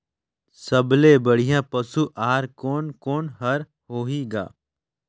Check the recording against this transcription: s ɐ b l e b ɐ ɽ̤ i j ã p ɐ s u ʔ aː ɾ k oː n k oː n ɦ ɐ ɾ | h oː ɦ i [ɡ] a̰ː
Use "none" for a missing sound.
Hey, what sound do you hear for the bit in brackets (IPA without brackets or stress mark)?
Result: ɡ